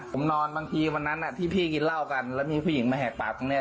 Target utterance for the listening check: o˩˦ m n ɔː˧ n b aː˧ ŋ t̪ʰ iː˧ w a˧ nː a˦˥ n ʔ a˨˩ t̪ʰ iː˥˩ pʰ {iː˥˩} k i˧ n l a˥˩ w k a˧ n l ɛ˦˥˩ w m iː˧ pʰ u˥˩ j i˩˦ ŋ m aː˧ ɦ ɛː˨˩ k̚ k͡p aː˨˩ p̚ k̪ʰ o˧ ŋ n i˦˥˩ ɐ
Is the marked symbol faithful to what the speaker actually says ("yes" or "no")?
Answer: yes